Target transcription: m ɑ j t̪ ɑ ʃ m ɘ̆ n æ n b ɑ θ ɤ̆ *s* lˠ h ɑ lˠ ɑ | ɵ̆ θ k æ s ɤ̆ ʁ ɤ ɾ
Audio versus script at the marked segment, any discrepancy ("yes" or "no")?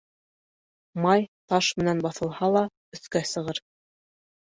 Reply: yes